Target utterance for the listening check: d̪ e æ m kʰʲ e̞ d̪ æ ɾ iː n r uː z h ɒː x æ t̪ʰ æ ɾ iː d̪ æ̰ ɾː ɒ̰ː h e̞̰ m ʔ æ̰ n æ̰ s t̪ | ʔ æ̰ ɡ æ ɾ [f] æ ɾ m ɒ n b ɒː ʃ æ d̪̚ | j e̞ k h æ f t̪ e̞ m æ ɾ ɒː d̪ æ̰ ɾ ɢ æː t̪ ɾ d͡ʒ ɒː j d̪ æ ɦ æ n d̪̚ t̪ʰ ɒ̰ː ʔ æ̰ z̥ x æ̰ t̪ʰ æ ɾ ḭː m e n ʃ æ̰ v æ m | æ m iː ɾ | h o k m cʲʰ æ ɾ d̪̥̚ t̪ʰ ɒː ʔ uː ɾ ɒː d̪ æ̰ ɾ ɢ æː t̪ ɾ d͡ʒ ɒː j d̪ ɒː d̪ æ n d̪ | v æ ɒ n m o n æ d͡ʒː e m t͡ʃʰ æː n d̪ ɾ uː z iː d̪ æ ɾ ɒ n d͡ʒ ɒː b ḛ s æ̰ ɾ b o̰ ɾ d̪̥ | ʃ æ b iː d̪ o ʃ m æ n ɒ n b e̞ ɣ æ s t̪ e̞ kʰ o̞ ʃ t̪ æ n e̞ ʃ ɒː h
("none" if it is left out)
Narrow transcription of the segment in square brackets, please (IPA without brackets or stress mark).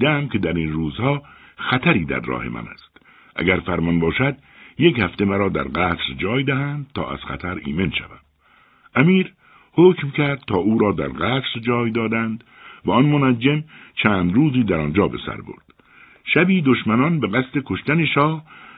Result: f